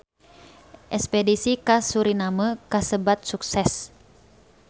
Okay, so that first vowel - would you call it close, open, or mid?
mid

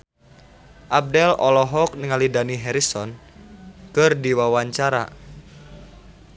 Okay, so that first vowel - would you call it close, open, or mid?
open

